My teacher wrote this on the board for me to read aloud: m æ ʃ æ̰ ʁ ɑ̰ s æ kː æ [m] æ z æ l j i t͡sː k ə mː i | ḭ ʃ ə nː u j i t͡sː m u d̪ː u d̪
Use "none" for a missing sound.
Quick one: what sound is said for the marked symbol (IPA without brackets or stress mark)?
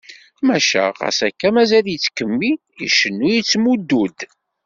m